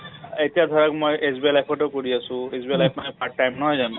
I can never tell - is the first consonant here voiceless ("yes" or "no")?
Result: yes